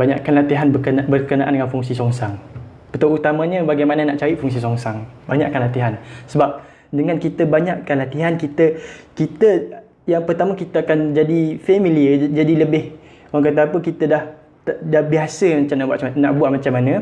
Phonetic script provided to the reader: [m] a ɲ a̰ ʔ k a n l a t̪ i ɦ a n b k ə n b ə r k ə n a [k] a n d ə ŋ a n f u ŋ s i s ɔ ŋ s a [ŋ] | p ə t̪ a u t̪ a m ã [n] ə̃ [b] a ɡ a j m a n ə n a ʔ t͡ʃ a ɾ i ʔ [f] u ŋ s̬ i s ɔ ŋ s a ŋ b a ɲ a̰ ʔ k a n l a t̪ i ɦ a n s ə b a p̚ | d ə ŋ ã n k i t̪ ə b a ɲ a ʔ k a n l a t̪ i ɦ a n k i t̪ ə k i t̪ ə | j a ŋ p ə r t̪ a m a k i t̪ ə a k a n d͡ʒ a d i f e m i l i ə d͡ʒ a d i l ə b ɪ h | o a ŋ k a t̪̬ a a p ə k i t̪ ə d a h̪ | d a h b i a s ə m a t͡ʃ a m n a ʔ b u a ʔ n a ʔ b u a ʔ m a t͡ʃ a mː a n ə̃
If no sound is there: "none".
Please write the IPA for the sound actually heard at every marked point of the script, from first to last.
b, ʔ, ŋ, ɲ, b, f

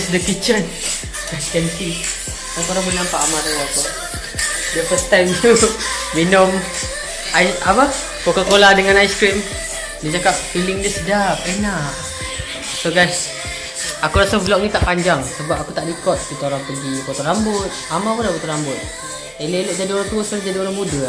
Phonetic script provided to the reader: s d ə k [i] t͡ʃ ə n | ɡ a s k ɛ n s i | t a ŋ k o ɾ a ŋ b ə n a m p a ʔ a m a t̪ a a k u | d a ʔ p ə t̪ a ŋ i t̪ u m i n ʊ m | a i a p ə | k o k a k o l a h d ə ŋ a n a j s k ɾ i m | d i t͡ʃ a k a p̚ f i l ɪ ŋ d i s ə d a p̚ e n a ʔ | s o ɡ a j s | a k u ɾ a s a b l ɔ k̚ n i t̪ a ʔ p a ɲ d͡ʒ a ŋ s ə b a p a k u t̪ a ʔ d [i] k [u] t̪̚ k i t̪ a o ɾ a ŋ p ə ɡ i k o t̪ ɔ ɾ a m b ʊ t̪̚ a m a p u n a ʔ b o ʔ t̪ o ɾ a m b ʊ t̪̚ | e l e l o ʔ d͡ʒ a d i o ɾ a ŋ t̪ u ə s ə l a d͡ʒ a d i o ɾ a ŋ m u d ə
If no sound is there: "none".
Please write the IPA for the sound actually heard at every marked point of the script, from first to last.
i, i, ɔ

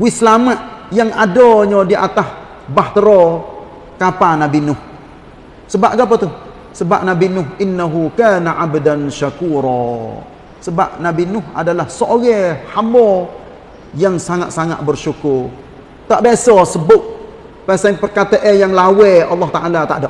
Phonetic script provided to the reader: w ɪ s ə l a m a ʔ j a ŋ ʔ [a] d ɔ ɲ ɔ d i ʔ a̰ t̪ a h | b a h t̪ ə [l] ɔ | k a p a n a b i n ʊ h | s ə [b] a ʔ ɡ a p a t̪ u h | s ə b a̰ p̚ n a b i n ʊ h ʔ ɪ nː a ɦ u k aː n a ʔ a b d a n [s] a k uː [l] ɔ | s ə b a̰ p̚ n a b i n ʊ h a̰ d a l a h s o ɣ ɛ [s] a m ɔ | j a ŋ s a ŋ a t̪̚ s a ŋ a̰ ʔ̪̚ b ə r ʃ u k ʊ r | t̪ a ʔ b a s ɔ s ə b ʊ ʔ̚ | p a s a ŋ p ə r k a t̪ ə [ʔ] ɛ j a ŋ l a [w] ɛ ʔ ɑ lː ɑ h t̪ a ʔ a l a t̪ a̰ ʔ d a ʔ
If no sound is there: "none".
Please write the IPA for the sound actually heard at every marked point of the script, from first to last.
a, ɾ, b, ʃ, ɾ, h, ʔ, w

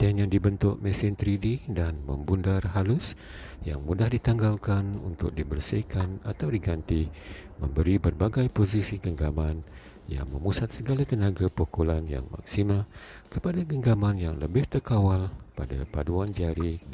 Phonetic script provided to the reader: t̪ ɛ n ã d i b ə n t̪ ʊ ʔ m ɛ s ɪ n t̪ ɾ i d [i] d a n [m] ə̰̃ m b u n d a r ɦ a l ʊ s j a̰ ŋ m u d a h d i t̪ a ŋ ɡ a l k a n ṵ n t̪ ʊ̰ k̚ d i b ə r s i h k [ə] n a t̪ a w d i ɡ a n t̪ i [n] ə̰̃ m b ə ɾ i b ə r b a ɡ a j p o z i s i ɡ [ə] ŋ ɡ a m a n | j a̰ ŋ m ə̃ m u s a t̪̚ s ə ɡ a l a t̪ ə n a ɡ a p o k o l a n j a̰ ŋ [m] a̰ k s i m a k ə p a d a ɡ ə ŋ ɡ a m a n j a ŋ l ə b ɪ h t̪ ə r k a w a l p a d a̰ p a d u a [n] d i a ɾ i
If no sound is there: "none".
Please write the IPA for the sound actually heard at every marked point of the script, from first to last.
i, m, a, m, ə, m, n

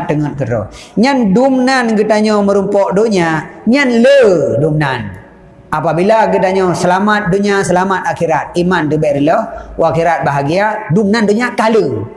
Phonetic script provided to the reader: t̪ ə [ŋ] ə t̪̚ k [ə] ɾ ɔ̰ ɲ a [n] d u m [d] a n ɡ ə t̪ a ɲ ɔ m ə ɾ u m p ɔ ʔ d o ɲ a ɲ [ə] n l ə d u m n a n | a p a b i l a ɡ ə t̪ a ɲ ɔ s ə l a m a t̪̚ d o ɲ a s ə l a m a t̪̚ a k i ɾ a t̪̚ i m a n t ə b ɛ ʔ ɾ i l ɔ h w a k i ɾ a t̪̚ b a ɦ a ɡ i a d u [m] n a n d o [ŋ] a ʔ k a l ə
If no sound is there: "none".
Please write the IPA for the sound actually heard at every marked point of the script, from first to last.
ŋ, ə, n, n, a, m, ɲ

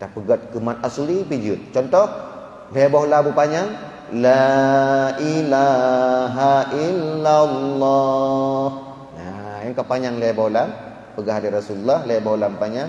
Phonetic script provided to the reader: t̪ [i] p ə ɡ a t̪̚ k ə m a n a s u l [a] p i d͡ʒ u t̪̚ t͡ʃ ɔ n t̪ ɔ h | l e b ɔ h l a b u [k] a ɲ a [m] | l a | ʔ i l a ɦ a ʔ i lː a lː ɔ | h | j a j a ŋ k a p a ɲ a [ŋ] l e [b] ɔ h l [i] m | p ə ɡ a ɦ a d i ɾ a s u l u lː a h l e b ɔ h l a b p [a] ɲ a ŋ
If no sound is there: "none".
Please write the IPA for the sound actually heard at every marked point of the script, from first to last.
a, i, p, ŋ, ŋ, b, a, a

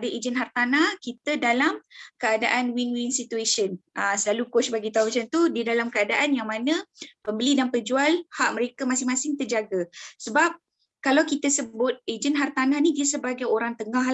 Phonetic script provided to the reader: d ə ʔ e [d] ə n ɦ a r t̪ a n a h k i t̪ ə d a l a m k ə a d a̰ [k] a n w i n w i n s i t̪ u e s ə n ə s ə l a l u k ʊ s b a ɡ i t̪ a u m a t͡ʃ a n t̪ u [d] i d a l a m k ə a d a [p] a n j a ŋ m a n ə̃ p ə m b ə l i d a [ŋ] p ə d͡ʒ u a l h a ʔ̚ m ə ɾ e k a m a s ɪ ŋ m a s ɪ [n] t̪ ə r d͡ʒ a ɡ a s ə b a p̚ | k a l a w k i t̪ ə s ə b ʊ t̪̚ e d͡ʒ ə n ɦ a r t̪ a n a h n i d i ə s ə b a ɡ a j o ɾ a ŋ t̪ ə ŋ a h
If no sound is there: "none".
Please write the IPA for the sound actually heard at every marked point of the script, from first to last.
d͡ʒ, ʔ, d, ʔ, n, ŋ

